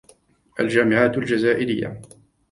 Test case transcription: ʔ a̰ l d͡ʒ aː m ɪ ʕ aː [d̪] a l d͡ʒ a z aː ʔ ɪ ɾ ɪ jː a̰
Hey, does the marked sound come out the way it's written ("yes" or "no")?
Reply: no